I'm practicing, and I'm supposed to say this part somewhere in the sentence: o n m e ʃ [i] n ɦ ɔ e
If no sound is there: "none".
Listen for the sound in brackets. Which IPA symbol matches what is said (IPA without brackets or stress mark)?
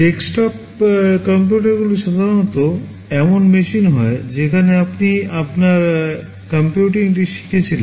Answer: i